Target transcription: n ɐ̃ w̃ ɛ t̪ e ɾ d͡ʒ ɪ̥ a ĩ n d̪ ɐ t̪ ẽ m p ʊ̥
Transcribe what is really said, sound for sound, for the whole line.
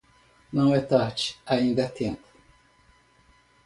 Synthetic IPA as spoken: n ɐ̃ w̃ ɛ t̪ a ɾ d͡ʒ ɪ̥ a ĩ n d̪ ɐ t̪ ẽ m p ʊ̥